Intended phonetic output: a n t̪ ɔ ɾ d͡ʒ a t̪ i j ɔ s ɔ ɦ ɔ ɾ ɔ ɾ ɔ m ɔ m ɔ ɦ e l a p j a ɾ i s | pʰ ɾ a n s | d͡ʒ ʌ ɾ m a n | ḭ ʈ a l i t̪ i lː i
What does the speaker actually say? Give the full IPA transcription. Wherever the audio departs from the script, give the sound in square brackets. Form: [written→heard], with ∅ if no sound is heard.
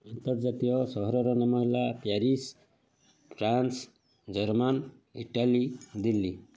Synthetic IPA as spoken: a n t̪ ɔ ɾ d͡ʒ a t̪ i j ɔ s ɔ ɦ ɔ ɾ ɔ ɾ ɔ [m→n] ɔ m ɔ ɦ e l a p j a ɾ i s | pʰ ɾ a n s | d͡ʒ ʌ ɾ m a n | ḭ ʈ a l i [t̪→d̪] i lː i

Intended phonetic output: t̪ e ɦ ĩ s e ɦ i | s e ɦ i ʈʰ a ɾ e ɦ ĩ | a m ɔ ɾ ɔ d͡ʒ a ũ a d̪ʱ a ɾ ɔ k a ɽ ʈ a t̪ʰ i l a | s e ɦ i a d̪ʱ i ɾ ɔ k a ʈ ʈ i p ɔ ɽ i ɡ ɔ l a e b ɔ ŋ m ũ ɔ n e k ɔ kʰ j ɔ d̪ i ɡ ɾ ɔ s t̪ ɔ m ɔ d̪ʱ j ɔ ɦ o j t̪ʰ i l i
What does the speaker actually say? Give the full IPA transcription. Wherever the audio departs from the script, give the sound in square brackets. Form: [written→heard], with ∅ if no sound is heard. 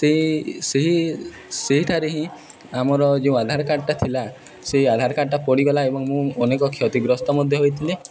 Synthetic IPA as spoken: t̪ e ɦ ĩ s e ɦ i | s e ɦ i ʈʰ a ɾ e ɦ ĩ | a m ɔ ɾ ɔ d͡ʒ [a→e] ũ a d̪ʱ a ɾ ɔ k a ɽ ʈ a t̪ʰ i l a | s e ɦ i a d̪ʱ [i→a] ɾ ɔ k a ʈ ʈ [i→a] p ɔ ɽ i ɡ ɔ l a e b ɔ ŋ m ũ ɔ n e k ɔ kʰ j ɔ [d̪→t̪] i ɡ ɾ ɔ s t̪ ɔ m ɔ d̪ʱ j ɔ ɦ o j t̪ʰ i l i

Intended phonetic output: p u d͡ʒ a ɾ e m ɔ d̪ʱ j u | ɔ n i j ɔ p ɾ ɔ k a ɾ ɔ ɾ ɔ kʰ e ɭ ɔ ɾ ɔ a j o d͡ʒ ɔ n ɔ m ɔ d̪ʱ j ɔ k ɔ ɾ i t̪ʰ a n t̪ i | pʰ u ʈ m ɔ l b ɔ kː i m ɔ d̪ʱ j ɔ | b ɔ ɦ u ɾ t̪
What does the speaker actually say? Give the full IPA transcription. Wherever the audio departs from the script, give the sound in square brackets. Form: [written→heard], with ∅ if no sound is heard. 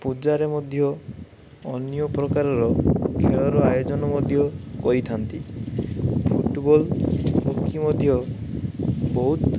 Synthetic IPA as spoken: p u d͡ʒ a ɾ e m ɔ d̪ʱ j [u→ɔ] | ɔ n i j ɔ p ɾ ɔ k a ɾ ɔ ɾ ɔ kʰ e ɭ ɔ ɾ ɔ a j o d͡ʒ ɔ n ɔ m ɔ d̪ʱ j ɔ k ɔ ɾ i t̪ʰ a n t̪ i | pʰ u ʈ [m→b] ɔ l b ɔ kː i m ɔ d̪ʱ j ɔ | b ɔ ɦ u [ɾ→∅] t̪

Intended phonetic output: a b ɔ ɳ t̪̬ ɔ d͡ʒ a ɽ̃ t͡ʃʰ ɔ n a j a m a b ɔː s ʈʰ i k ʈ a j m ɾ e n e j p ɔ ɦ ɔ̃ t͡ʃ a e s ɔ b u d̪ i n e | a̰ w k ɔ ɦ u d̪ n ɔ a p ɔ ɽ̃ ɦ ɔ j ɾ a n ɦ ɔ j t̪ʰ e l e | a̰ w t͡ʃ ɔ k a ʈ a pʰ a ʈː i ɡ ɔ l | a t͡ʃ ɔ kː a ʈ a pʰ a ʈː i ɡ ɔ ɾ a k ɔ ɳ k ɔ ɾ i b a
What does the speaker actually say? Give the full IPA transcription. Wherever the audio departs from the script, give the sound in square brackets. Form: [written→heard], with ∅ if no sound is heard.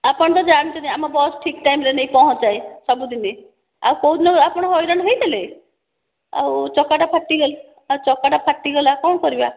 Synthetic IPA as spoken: a [b→p] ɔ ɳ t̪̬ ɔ d͡ʒ a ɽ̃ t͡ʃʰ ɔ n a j a m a b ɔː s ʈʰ i k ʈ a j m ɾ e n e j p ɔ ɦ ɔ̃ t͡ʃ a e s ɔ b u d̪ i n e | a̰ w k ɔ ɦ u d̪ n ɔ a p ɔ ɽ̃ ɦ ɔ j ɾ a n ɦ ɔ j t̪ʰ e l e | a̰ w t͡ʃ ɔ k a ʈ a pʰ a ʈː i ɡ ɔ l | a t͡ʃ ɔ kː a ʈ a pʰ a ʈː i ɡ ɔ [ɾ→l] a k ɔ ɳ k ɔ ɾ i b a

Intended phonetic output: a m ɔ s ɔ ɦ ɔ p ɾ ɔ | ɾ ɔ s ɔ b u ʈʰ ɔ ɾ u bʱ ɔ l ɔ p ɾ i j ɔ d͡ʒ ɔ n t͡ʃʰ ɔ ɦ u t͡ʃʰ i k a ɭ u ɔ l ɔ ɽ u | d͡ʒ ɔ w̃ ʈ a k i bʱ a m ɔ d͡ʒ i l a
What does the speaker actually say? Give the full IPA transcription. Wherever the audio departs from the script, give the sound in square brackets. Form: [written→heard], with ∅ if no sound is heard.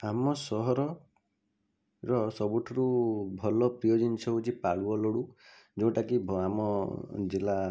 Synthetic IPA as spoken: a m ɔ s ɔ ɦ ɔ [p→∅] ɾ ɔ | ɾ ɔ s ɔ b u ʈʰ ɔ ɾ u bʱ ɔ l ɔ p ɾ i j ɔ d͡ʒ ɔ n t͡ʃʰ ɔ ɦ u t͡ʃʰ i [k→p] a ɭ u ɔ l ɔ ɽ u | d͡ʒ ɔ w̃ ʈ a k i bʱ a m ɔ d͡ʒ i l a

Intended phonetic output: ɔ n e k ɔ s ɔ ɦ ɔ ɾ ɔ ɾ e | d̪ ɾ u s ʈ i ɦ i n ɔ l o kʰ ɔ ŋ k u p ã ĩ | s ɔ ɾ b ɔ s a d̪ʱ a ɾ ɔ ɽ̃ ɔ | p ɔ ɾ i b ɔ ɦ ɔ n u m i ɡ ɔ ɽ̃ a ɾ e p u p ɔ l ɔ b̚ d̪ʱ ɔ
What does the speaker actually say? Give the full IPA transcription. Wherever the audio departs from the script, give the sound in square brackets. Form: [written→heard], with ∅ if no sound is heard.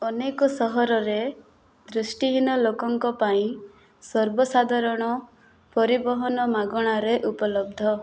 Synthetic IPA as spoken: ɔ n e k ɔ s ɔ ɦ ɔ ɾ ɔ ɾ e | d̪ ɾ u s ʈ i ɦ i n ɔ l o [kʰ→k] ɔ ŋ k [u→ɔ] p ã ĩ | s ɔ ɾ b ɔ s a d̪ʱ a ɾ ɔ ɽ̃ ɔ | p ɔ ɾ i b ɔ ɦ ɔ n [u→ɔ] m [i→a] ɡ ɔ ɽ̃ a ɾ e [p→ʔ] u p ɔ l ɔ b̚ d̪ʱ ɔ

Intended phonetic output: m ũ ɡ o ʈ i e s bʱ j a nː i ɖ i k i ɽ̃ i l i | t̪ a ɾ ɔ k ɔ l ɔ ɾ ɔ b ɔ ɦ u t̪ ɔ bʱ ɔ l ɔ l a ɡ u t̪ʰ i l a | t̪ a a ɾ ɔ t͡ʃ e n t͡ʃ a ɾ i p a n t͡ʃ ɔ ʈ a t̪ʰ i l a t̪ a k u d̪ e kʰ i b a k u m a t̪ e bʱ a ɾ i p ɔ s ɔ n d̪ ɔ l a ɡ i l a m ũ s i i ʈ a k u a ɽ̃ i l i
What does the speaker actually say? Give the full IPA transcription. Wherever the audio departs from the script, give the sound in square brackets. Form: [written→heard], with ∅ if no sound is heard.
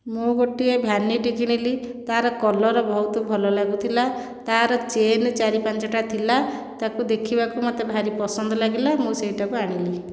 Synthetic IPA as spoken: m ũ ɡ o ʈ i e [s→∅] bʱ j a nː i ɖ i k i ɽ̃ i l i | t̪ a ɾ ɔ k ɔ l ɔ ɾ ɔ b ɔ ɦ u t̪ ɔ bʱ ɔ l ɔ l a ɡ u t̪ʰ i l a | t̪ a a ɾ ɔ t͡ʃ e n t͡ʃ a ɾ i p a n t͡ʃ ɔ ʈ a t̪ʰ i l a t̪ a k u d̪ e kʰ i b a k u m a t̪ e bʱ a ɾ i p ɔ s ɔ n d̪ ɔ l a ɡ i l a m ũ s [i→e] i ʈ a k u a ɽ̃ i l i

